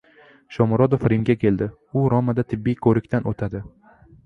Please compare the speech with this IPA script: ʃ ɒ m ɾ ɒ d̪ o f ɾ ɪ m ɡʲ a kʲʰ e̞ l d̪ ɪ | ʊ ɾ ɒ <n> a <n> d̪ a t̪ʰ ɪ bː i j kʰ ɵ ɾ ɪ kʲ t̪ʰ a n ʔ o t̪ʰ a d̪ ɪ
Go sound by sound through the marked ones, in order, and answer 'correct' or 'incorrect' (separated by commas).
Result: incorrect, incorrect